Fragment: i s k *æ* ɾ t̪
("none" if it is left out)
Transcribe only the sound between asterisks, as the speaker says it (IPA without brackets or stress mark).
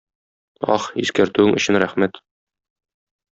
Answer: æ